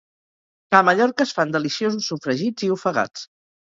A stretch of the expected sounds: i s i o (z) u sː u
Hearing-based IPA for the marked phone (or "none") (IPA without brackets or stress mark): z